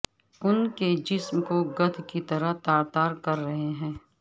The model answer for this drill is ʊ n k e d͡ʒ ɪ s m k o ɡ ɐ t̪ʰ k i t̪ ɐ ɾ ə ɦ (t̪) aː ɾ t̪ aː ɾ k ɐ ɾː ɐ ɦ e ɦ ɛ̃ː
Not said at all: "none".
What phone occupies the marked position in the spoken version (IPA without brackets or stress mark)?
t̪